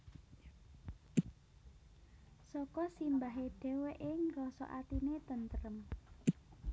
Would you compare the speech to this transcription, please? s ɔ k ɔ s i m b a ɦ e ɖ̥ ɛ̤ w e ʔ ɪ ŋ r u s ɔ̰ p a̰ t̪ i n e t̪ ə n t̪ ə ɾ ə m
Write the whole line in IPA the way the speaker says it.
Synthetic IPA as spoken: s ɔ k ɔ s i m b a ɦ e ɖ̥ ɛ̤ w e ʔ ɪ ŋ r ɔ s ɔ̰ ʔ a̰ t̪ i n e t̪ ə n t̪ ə ɾ ə m